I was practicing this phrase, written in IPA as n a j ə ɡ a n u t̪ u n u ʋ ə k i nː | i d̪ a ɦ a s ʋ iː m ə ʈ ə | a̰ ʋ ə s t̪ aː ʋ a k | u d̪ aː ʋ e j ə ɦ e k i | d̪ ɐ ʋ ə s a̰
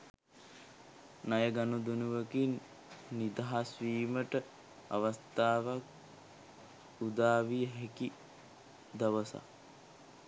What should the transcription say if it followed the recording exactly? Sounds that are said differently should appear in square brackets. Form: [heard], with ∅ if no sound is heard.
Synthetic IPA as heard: n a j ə ɡ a n u [d̪] u n u ʋ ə k i nː | i d̪ a ɦ a s ʋ iː m ə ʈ ə | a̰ ʋ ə s t̪ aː ʋ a k | u d̪ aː ʋ [i] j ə ɦ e k i | d̪ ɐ ʋ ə s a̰